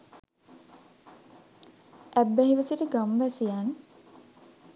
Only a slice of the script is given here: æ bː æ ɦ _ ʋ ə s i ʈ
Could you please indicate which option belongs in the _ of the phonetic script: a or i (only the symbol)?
i